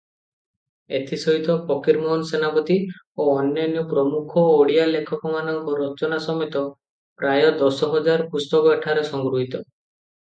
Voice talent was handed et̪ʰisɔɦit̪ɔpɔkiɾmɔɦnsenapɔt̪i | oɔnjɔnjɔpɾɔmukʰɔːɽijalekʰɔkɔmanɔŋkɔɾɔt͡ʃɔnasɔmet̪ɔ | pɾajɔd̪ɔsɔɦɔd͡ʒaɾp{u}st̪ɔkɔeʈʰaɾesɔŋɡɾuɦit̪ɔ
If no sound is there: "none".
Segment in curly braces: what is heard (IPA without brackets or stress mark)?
u